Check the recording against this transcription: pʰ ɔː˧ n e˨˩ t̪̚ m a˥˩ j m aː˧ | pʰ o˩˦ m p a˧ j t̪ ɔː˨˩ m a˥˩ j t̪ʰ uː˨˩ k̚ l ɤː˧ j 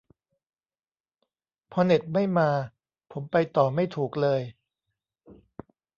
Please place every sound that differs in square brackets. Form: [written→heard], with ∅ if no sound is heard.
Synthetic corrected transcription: pʰ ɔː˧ n e˨˩ t̪̚ m a˥˩ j m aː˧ | pʰ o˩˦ m p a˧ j t̪ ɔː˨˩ m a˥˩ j t̪ʰ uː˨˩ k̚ l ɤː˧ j